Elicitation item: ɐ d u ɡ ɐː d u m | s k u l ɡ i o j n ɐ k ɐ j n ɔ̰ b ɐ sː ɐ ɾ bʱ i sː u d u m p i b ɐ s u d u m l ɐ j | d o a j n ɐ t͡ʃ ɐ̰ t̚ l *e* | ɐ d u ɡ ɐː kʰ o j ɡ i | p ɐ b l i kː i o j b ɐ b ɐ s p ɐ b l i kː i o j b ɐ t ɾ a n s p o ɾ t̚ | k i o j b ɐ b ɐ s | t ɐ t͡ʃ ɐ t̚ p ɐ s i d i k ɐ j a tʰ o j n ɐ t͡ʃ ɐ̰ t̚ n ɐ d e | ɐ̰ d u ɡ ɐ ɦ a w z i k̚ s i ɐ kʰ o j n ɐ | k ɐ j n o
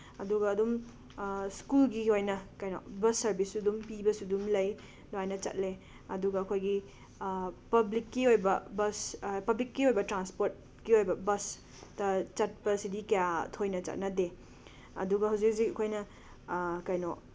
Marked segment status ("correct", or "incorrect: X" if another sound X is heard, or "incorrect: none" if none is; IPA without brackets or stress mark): correct